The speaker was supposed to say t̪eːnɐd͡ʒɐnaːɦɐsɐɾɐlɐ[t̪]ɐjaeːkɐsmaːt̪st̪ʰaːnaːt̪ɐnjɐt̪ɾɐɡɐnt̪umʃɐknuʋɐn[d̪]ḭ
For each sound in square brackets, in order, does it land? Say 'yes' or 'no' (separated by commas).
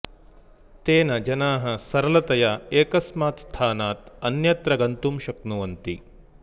yes, no